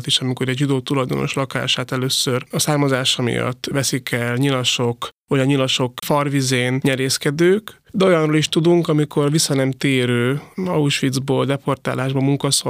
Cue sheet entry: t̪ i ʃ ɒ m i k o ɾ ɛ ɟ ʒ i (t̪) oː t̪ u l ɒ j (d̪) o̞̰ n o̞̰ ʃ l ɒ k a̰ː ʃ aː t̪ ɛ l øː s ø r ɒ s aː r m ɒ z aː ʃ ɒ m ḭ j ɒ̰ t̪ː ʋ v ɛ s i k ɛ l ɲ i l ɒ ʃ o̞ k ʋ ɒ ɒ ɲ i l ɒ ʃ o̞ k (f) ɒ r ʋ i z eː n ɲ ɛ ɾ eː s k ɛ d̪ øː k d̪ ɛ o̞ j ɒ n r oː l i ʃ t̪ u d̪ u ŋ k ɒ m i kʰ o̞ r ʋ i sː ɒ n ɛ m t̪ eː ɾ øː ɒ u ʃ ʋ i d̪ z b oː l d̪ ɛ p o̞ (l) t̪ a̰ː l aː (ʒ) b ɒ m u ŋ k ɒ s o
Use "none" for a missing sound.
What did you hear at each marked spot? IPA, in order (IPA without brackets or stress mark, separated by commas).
d̪, d̪, f, r, ʒ